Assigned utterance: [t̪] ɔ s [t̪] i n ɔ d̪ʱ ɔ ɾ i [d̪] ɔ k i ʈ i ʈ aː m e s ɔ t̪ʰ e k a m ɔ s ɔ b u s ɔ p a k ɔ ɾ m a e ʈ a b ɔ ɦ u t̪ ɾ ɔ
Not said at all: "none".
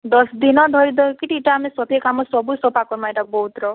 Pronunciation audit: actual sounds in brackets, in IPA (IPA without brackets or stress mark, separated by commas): d̪, d̪, d̪